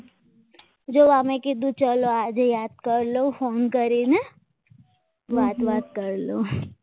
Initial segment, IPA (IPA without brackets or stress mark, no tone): d͡ʒ